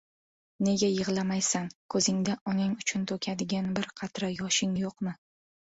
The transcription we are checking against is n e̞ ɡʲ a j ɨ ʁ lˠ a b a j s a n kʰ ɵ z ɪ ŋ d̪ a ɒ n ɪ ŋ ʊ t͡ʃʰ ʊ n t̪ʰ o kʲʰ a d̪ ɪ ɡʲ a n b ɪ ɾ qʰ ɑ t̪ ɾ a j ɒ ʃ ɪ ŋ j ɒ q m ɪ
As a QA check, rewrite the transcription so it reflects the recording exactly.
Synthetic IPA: n e̞ ɡʲ a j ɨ ʁ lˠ a m a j s a n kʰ ɵ z ɪ ŋ d̪ a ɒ n ɪ ŋ ʊ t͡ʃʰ ʊ n t̪ʰ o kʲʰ a d̪ ɪ ɡʲ a n b ɪ ɾ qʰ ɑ t̪ ɾ a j ɒ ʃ ɪ ŋ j o q m ɪ